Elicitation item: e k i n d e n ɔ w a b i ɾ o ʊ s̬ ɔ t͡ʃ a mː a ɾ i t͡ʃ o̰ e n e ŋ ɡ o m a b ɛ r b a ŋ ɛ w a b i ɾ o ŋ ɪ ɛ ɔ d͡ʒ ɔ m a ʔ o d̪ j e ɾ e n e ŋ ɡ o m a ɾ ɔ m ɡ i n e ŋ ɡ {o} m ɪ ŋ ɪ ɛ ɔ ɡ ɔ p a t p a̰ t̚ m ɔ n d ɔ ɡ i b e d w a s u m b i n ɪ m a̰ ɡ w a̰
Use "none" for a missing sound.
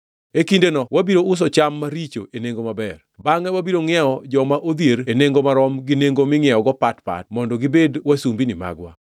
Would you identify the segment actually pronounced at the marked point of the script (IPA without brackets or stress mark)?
o